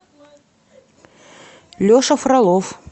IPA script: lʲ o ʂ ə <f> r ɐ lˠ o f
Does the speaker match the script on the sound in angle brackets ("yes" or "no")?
yes